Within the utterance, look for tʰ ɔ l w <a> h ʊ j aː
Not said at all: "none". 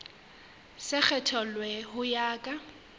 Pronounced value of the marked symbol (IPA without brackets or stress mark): ɛ